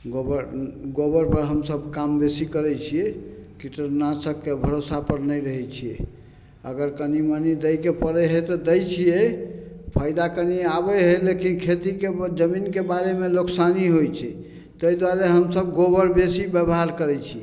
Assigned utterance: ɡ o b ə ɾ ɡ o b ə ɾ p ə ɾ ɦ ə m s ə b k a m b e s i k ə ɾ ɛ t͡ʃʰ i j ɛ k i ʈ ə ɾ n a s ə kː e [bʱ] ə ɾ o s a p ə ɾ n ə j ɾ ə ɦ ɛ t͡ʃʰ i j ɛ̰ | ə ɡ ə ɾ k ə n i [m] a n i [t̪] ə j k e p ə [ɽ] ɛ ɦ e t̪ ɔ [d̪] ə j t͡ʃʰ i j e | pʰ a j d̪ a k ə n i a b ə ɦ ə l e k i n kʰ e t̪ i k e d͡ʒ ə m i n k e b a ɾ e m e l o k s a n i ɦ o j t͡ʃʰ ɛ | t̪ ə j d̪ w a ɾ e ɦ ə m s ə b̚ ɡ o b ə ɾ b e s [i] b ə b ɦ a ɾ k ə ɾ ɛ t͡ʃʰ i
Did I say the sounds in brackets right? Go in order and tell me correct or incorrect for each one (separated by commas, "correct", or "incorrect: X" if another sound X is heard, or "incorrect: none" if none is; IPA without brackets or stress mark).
correct, correct, incorrect: d̪, incorrect: ɾ, correct, correct